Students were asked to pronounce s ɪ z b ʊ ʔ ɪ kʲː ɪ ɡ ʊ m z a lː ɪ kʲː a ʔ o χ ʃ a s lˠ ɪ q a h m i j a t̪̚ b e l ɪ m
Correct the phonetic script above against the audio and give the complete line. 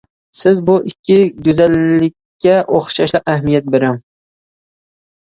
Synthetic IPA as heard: s ɪ z b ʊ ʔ ɪ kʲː ɪ ɡ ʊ z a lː ɪ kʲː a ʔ o χ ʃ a ʃ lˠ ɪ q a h m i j a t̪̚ b e ɾ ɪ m